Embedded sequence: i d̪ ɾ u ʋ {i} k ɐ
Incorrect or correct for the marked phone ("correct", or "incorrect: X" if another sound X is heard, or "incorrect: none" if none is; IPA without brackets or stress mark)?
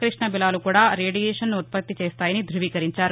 incorrect: iː